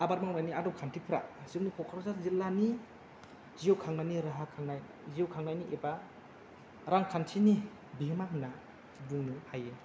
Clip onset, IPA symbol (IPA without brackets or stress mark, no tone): a